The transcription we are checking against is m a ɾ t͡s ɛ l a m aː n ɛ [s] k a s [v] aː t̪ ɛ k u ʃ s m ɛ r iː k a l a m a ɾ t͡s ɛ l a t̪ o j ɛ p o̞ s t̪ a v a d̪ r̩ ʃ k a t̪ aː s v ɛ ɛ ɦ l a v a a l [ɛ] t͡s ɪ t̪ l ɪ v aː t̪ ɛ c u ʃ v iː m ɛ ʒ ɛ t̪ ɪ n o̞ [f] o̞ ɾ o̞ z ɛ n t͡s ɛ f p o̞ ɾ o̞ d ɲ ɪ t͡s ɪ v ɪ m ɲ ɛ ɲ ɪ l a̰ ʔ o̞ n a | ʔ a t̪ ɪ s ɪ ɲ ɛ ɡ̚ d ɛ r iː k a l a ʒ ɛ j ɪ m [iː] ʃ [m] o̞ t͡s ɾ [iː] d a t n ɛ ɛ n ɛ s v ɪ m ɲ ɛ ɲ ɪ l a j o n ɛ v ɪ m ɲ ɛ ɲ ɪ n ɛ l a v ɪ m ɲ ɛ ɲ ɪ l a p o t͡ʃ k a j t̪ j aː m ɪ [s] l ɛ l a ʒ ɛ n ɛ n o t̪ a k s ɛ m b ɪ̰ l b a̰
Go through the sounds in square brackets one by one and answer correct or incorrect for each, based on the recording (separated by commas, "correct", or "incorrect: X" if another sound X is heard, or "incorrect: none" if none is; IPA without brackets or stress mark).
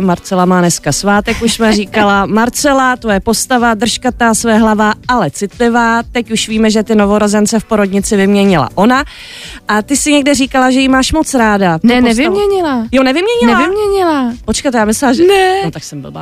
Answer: correct, correct, correct, incorrect: v, incorrect: aː, correct, incorrect: aː, correct